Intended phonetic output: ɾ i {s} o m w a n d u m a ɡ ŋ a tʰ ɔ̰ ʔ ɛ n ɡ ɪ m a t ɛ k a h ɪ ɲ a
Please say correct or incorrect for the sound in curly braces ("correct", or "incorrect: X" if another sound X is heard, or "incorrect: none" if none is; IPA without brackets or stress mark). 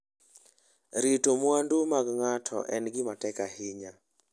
incorrect: t